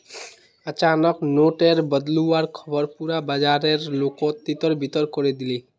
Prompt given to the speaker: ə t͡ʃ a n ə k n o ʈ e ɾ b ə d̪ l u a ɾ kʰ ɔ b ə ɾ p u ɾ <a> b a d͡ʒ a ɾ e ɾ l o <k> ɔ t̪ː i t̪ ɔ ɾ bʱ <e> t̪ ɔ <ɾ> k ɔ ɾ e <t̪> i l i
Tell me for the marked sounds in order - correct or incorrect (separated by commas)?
correct, correct, incorrect, correct, incorrect